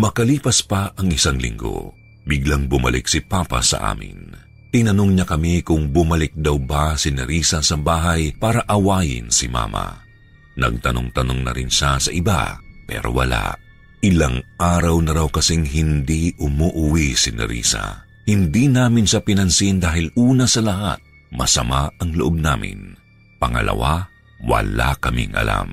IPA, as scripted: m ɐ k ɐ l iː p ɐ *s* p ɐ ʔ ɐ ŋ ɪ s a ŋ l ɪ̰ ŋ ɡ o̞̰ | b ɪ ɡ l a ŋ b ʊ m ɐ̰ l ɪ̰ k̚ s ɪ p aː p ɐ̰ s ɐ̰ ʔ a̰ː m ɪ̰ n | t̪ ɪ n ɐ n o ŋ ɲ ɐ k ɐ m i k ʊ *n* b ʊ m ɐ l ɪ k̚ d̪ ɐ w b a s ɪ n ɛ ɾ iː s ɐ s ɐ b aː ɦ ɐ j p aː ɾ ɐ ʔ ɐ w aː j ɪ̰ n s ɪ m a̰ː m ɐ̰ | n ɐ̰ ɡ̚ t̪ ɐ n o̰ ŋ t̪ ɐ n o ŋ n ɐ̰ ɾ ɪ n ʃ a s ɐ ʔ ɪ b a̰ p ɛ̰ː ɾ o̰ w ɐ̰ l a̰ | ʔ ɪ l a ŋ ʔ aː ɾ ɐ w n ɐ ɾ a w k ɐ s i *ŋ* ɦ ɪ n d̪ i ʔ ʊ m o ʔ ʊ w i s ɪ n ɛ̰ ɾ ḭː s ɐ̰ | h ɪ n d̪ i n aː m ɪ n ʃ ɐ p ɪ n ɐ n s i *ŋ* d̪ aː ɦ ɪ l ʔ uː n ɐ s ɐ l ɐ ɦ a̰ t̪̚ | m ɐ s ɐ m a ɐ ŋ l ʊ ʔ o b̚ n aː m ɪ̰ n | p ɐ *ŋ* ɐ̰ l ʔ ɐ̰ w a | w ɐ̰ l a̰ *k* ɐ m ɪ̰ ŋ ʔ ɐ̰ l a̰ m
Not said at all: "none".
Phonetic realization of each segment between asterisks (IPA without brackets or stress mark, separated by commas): s, ŋ, ŋ, n, ŋ, k